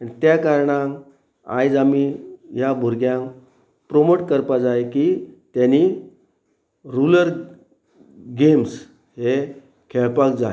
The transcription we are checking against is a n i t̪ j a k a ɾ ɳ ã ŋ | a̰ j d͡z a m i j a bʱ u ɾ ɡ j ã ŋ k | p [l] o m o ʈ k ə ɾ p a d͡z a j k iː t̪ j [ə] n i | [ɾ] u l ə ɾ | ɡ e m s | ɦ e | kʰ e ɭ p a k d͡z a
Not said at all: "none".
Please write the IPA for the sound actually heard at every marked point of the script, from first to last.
ɾ, a, ɾ

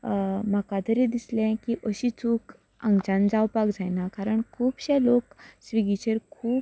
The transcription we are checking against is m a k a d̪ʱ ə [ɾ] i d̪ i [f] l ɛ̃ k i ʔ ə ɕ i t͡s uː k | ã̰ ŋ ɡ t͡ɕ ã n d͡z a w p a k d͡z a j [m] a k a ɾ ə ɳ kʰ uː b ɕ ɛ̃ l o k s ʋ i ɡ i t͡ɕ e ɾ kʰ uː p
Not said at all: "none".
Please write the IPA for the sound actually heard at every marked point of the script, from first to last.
ɾ, s, n

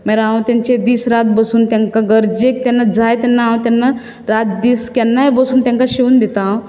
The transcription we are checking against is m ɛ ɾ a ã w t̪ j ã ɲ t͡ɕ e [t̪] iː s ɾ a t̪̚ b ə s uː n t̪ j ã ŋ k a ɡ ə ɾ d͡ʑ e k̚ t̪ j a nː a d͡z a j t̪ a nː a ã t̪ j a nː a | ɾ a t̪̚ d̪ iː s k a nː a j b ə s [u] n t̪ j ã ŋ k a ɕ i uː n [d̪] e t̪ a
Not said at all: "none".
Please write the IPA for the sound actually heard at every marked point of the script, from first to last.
d̪, uː, d̪

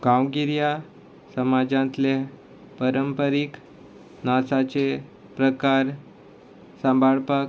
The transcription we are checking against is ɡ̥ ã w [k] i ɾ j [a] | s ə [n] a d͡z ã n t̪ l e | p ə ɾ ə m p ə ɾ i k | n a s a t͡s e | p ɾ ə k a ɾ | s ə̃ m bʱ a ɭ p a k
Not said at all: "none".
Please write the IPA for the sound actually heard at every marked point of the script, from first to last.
ɡ, a, m

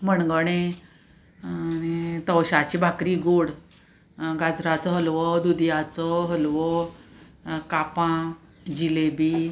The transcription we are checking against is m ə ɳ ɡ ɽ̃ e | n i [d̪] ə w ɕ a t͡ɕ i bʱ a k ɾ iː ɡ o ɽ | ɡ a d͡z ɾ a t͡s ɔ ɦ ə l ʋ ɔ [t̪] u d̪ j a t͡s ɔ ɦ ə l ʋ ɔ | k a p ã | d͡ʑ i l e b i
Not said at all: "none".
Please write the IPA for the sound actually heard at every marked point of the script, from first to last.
t̪, d̪

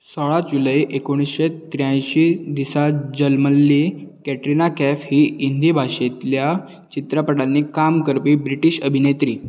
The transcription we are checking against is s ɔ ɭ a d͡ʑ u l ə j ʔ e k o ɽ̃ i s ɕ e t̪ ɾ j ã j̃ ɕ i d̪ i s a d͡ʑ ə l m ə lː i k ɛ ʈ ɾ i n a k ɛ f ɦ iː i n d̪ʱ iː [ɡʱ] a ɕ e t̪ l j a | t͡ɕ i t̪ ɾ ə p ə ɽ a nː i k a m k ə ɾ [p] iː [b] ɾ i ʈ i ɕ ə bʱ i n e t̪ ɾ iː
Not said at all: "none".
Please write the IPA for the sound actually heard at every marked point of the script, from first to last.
bʱ, p, b

